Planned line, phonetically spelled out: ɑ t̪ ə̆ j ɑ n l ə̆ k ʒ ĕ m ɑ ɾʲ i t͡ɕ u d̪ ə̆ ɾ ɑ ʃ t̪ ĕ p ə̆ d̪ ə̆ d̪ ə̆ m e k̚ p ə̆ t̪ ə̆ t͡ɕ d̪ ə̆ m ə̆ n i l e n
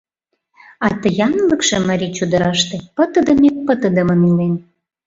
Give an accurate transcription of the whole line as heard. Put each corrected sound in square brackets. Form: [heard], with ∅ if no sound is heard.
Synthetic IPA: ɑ t̪ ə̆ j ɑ n l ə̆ k [ʃ] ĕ m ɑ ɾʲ i t͡ɕ u d̪ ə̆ ɾ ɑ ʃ t̪ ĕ p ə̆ [t̪] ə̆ d̪ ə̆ m e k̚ p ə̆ t̪ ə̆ [∅] d̪ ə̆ m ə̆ n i l e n